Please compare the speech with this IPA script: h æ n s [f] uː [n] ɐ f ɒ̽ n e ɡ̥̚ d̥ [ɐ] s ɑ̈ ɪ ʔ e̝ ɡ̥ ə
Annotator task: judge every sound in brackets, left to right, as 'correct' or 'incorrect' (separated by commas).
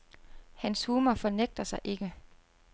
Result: incorrect, incorrect, correct